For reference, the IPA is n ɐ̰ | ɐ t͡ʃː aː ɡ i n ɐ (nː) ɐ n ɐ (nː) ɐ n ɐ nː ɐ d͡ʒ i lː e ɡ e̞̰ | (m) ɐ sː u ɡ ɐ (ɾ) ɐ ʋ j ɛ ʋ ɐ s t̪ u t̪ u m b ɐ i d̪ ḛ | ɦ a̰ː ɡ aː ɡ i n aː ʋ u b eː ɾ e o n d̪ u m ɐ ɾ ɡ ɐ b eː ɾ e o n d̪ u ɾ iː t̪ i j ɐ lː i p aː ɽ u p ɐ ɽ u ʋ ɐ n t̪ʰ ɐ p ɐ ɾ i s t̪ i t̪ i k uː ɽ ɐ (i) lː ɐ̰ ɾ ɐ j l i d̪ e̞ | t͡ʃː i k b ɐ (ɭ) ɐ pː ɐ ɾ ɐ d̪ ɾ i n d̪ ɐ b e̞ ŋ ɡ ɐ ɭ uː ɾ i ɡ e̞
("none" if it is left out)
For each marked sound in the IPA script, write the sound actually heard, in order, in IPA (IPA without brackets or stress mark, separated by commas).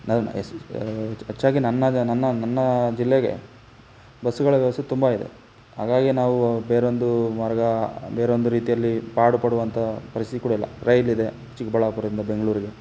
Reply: nː, nː, b, ɭ, i, ɭ